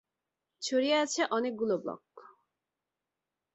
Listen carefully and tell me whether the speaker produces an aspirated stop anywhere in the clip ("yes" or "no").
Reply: yes